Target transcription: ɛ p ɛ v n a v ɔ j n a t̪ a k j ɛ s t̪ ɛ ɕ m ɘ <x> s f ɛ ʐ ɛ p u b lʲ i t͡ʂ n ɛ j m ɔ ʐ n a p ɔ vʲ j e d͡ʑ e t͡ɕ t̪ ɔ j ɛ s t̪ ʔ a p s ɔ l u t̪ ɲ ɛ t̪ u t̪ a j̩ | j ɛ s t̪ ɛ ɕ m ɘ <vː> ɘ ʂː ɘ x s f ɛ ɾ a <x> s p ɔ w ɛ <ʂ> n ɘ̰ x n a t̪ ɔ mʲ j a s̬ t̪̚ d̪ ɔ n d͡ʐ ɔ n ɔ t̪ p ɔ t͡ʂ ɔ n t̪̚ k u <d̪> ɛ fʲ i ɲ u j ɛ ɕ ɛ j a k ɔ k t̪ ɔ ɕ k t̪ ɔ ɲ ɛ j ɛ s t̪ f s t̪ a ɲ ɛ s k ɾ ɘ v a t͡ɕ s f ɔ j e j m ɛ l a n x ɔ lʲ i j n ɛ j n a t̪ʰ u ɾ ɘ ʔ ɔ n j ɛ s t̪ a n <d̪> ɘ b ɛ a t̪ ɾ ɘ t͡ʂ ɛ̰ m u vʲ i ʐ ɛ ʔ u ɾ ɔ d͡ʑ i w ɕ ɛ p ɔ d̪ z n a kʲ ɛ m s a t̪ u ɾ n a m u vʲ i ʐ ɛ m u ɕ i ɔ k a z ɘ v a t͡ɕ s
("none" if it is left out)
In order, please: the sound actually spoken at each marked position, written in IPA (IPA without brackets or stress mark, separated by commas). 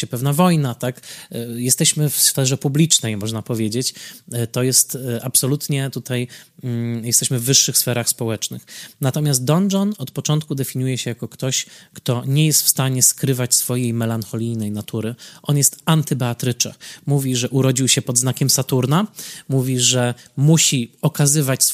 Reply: f, vː, x, t͡ʂ, d̪, t̪